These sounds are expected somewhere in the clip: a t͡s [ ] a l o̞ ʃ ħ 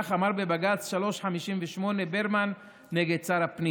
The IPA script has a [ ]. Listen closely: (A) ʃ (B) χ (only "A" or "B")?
A